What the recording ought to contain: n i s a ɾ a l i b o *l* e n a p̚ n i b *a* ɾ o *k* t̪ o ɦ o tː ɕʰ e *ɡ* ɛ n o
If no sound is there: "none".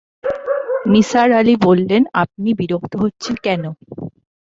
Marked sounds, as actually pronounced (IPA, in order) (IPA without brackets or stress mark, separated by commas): lː, i, k, k